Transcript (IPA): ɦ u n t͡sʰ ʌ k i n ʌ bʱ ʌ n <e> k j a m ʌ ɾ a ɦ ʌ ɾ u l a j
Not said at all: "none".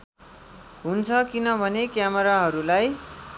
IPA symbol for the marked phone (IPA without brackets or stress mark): e